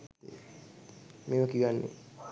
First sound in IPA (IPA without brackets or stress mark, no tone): m